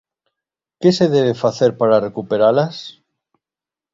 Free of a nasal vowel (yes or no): yes